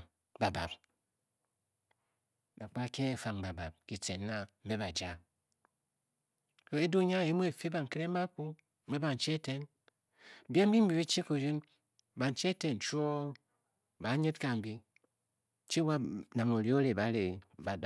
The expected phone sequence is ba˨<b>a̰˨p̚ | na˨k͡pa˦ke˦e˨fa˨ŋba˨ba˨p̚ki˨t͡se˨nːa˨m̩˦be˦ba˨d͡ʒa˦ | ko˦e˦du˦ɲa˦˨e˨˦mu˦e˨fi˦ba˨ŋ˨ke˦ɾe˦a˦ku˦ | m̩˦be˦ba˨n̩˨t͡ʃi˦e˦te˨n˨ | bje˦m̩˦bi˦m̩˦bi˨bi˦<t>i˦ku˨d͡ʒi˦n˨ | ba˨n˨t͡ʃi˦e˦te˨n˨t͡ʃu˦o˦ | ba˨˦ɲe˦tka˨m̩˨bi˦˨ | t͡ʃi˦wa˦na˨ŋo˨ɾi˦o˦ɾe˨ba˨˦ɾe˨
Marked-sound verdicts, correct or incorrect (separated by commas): correct, incorrect